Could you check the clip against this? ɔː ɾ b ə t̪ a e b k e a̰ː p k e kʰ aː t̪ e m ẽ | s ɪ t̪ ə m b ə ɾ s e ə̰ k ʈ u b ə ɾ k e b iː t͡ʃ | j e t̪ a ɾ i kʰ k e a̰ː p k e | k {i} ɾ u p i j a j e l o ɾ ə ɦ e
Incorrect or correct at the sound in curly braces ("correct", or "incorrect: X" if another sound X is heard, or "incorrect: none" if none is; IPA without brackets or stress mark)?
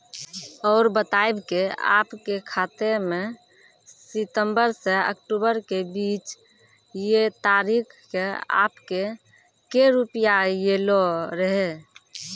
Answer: incorrect: e